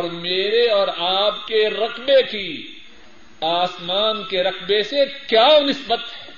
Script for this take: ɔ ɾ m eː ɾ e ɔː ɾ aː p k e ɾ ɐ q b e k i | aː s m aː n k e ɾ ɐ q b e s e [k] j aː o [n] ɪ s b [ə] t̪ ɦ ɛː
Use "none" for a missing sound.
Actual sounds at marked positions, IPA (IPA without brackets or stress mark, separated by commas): k, n, ə